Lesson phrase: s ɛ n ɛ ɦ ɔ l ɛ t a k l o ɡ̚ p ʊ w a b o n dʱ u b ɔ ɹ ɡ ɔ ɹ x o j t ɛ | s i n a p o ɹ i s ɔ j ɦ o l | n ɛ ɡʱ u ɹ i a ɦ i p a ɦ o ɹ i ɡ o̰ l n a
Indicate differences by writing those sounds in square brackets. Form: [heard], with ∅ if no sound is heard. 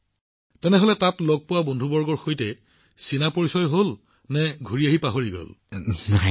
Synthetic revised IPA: [t] ɛ n ɛ ɦ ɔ l ɛ t a [t] l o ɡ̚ p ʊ w a b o n dʱ u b ɔ ɹ ɡ ɔ ɹ x o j t ɛ | s i n a p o ɹ i s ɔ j ɦ o l | n ɛ ɡʱ u ɹ i a ɦ i p a ɦ o ɹ i ɡ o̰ l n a